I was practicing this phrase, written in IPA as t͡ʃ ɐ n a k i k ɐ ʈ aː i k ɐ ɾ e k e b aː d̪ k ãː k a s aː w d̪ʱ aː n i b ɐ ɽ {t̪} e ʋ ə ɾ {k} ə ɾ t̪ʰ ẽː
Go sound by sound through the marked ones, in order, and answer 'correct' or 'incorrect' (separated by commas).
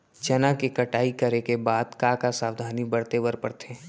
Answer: correct, incorrect